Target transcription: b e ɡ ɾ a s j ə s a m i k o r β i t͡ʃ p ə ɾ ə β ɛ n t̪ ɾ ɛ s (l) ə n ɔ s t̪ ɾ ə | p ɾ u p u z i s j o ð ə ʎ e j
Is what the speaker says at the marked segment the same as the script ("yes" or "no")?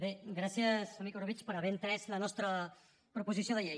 yes